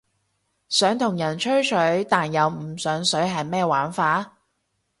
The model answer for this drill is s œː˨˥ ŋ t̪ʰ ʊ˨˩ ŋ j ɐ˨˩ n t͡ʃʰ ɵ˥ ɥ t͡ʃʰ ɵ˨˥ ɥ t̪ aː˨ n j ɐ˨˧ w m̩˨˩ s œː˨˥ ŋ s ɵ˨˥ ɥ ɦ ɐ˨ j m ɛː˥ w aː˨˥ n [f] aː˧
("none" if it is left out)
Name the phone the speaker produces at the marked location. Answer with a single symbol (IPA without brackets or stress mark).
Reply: f